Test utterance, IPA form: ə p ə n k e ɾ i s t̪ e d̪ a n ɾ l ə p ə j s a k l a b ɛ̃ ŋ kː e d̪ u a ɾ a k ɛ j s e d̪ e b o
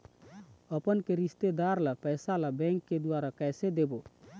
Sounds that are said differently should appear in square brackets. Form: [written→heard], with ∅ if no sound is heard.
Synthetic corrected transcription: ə p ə n k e ɾ i s t̪ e d̪ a [n→∅] ɾ l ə p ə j s a [k→∅] l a b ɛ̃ ŋ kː e d̪ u a ɾ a k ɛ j s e d̪ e b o